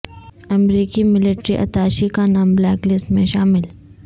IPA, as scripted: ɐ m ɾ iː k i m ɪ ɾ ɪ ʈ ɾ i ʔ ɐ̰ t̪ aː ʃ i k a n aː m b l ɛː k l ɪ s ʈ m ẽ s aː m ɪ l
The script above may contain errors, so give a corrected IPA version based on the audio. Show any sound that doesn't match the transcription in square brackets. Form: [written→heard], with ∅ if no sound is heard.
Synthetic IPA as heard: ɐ m ɾ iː k i m ɪ [ɾ→l] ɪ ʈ ɾ i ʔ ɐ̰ t̪ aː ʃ i k a n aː m b l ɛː k l ɪ s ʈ m ẽ [s→ʃ] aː m ɪ l